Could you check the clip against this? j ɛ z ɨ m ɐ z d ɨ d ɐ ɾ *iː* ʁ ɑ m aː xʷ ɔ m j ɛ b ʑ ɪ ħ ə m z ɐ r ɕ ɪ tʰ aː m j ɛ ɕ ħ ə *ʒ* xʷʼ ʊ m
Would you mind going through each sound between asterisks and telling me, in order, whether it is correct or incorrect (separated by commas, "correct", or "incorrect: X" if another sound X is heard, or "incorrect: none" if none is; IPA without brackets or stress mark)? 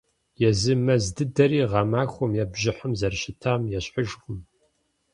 correct, correct